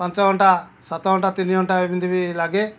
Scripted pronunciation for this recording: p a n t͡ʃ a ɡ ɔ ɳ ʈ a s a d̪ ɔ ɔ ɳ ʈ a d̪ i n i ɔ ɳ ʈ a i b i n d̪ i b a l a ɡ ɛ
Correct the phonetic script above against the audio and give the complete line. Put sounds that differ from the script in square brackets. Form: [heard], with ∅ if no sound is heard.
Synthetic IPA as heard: p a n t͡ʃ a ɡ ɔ ɳ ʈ a s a [t̪] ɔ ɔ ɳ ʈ a [t̪] i n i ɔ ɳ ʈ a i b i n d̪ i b [i] l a ɡ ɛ

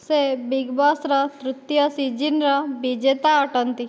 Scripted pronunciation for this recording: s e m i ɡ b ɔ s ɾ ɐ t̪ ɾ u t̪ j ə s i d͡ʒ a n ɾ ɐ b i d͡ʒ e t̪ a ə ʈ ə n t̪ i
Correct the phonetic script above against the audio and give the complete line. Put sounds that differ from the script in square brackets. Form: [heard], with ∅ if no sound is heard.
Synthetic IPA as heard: s e [b] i ɡ b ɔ s ɾ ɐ t̪ ɾ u t̪ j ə s i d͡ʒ [i] n ɾ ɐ b i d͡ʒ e t̪ a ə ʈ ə n t̪ i

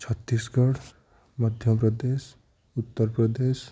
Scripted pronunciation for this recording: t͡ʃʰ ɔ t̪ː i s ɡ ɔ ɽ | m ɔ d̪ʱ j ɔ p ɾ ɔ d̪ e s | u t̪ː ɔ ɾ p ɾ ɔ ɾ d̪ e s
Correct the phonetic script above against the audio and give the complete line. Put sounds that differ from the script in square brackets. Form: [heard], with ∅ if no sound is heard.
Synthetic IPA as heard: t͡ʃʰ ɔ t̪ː i s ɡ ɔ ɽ | m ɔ d̪ʱ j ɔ p ɾ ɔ d̪ e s | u t̪ː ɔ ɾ p ɾ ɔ [∅] d̪ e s

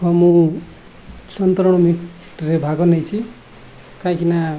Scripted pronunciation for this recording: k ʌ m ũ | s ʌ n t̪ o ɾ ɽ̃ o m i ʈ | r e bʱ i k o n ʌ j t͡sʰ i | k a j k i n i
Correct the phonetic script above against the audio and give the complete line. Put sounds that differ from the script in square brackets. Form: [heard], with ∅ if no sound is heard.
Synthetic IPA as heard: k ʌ m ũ | s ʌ n t̪ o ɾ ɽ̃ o m i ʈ | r e bʱ [a] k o n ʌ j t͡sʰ i | k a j k i n [a]

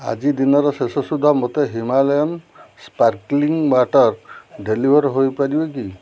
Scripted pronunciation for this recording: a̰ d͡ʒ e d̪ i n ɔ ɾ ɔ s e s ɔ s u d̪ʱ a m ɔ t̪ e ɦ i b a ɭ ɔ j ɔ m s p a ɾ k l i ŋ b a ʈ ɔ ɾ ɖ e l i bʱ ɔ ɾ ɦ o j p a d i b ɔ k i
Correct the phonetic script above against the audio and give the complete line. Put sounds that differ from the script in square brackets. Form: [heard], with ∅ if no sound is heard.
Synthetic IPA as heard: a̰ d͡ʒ [i] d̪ i n ɔ ɾ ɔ s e s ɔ s u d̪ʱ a m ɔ t̪ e ɦ i [m] a [l] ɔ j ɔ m s p a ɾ k l i ŋ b a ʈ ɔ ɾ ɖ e l i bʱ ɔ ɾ ɦ o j p a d i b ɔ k i

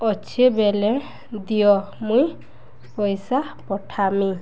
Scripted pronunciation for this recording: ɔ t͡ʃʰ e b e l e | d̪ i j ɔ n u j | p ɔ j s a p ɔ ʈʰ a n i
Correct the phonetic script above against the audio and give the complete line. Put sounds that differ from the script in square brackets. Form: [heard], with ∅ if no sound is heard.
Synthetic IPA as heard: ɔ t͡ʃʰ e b e l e | d̪ i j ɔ [m] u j | p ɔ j s a p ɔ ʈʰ a [m] i

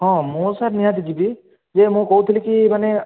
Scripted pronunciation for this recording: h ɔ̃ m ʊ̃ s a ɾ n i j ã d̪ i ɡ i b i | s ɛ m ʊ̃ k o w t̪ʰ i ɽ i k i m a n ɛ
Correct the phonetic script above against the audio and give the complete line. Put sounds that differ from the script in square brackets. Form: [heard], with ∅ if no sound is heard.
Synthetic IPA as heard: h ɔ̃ m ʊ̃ s a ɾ n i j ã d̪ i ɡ i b i | [z] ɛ m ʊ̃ k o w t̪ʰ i [l] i k i m a n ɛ

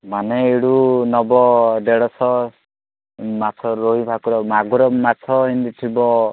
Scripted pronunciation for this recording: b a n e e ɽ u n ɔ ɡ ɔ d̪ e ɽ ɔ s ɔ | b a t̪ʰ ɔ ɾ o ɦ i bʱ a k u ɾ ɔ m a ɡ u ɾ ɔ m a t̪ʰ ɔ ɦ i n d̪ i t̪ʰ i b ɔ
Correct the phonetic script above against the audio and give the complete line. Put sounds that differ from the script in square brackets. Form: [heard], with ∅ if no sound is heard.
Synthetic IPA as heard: [m] a n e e ɽ u n ɔ [b] ɔ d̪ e ɽ ɔ s ɔ | [m] a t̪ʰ ɔ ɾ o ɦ i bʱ a k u ɾ ɔ m a ɡ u ɾ ɔ m a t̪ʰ ɔ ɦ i n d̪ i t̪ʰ i b ɔ

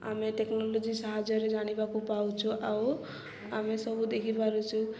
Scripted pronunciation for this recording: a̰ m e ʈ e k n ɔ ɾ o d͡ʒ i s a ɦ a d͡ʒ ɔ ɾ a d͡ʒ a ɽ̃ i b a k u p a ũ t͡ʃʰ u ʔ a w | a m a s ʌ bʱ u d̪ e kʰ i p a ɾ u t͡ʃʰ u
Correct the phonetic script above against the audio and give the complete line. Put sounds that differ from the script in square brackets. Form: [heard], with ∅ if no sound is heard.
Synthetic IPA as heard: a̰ m e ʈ e k n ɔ [l] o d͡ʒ i s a ɦ a d͡ʒ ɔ ɾ [e] d͡ʒ a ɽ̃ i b a k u p a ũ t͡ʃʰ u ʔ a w | a m [e] s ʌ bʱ u d̪ e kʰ i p a ɾ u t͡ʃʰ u

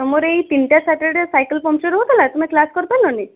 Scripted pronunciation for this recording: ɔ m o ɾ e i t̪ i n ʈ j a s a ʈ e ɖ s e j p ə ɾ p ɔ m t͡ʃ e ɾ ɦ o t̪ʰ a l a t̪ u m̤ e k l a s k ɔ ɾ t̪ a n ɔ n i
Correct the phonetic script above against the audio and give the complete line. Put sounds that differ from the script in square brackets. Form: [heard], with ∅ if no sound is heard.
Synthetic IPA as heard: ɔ m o ɾ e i t̪ i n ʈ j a s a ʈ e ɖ s [a] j [k] ə [l] p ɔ m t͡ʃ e ɾ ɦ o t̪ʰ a l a t̪ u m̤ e k l a s k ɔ ɾ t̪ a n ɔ n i

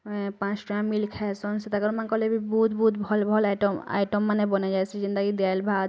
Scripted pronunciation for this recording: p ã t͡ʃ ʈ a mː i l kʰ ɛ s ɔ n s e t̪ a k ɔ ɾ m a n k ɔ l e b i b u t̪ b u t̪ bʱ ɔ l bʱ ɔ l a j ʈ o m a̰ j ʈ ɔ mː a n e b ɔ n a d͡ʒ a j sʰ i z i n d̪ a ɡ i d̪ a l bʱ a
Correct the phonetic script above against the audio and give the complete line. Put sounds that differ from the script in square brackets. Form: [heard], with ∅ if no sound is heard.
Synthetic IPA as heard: p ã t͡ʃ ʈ a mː i l kʰ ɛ s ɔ n s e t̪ a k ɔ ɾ m a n k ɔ l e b i b u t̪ b u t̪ bʱ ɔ l bʱ ɔ l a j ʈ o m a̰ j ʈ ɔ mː a n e b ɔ n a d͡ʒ a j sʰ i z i n d̪ a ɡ i d̪ a l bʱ a

